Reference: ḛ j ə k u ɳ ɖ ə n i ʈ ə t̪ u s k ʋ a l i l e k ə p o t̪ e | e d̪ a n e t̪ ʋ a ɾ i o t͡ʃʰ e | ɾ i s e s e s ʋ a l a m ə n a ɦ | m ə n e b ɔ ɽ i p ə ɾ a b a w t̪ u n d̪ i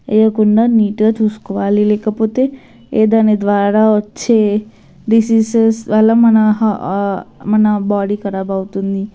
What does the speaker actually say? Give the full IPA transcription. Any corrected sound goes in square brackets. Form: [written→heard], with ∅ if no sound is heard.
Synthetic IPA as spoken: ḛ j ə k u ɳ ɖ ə n i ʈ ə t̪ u s k ʋ a l i l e k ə p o t̪ e | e d̪ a n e [t̪→d̪] ʋ a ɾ [i→a] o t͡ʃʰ e | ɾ i s [e→i] s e s ʋ a l a m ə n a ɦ | m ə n [e→a] b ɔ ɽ i [p→k] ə ɾ a b a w t̪ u n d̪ i